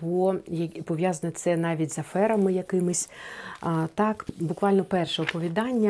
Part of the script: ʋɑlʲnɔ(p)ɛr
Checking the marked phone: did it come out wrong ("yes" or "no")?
no